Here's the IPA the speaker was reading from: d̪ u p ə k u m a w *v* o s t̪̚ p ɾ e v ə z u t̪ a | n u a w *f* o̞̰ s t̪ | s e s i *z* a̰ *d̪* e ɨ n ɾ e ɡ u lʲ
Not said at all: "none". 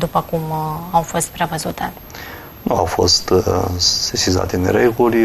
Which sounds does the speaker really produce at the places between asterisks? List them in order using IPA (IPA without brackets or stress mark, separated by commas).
f, f, z, t̪